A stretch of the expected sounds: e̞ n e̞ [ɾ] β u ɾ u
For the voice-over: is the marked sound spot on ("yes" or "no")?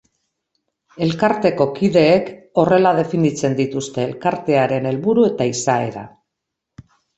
no